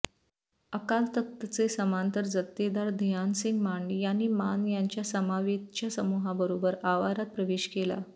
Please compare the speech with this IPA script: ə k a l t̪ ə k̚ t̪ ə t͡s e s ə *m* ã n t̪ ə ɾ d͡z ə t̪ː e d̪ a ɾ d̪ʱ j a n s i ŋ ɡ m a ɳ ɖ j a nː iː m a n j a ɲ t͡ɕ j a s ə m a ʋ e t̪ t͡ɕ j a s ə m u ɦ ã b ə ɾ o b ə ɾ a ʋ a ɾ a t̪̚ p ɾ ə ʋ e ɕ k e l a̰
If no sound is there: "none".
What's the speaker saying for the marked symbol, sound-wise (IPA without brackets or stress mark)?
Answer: m